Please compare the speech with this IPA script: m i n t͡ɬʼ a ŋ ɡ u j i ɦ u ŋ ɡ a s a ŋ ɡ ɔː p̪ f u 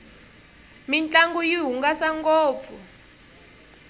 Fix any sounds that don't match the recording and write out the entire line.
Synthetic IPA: m i n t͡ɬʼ a ŋ ɡ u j i ɦ u ŋ ɡ a s a ŋ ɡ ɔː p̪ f u